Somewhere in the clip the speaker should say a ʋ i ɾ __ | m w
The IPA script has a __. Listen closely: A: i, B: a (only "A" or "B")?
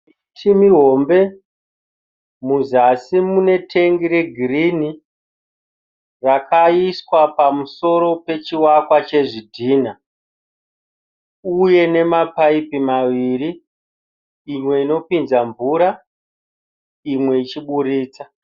A